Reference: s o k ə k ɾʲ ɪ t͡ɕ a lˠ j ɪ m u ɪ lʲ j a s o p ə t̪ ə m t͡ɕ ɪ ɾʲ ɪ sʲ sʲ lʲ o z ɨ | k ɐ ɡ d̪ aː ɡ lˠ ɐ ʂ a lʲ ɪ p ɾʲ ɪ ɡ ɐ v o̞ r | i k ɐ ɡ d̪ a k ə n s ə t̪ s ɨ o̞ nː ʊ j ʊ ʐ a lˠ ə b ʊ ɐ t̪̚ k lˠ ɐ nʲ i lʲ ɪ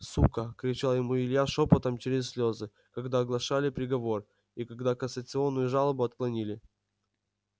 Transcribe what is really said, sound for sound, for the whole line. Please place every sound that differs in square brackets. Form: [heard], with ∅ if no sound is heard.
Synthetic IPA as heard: s [u] k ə k ɾʲ ɪ t͡ɕ a lˠ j ɪ m u ɪ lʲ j a [ʂ] o p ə t̪ ə m t͡ɕ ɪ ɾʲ ɪ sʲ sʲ lʲ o z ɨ | k ɐ ɡ d̪ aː ɡ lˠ ɐ ʂ a lʲ ɪ p ɾʲ ɪ ɡ ɐ v o̞ r | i k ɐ ɡ d̪ a k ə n s ə t̪ s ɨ o̞ nː ʊ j ʊ ʐ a lˠ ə b ʊ ɐ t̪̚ k lˠ ɐ nʲ i lʲ ɪ